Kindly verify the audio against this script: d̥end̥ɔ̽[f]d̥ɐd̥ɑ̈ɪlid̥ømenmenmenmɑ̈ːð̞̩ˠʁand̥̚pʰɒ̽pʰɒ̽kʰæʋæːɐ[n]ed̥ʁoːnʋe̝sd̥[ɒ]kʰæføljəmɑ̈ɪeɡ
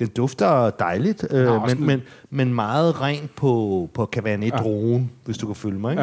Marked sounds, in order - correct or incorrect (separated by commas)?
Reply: correct, correct, incorrect